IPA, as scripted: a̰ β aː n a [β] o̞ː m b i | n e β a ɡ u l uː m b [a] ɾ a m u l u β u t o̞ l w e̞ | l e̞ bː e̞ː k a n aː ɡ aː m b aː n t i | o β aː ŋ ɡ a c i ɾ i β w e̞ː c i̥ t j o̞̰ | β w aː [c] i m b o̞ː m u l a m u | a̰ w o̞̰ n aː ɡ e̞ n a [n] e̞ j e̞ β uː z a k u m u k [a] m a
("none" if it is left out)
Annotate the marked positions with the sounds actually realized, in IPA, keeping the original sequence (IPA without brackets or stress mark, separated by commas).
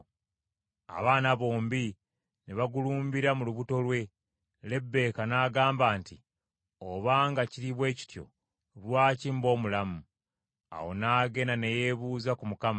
β, i, c, n, a